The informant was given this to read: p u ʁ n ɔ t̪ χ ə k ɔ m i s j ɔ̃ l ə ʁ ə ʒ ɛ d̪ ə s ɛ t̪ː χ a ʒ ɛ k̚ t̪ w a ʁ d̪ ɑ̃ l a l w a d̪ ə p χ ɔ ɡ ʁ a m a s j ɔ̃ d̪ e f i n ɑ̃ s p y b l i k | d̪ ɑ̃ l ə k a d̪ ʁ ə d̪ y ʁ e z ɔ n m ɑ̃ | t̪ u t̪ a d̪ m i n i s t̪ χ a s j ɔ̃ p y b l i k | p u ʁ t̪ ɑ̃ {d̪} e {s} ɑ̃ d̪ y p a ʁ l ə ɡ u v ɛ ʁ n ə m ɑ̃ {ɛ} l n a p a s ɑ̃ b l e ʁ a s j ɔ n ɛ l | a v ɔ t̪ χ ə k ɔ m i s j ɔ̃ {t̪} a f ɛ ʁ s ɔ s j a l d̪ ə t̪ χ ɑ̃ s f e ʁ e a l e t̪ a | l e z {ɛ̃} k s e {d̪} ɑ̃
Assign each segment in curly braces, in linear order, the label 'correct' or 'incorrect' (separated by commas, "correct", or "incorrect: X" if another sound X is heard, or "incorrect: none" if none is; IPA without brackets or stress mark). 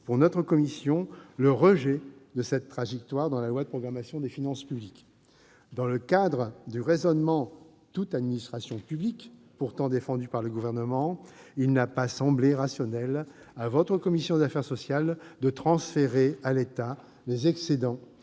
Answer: correct, incorrect: f, incorrect: i, incorrect: d̪, incorrect: ɛ, correct